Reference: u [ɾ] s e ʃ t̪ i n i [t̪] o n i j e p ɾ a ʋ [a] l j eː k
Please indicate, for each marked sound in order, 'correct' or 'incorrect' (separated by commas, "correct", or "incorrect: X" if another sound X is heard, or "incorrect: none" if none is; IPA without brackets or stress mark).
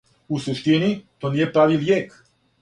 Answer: incorrect: none, correct, incorrect: i